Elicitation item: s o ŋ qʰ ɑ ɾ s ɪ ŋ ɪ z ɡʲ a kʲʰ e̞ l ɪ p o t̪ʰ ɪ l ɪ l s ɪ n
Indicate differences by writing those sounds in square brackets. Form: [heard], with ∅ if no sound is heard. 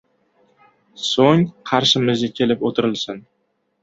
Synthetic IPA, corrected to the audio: s o ŋ qʰ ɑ ɾ [ʃ] ɪ [m] ɪ z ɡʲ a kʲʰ e̞ l ɪ p o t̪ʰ ɪ [ɾ] ɪ l s ɪ n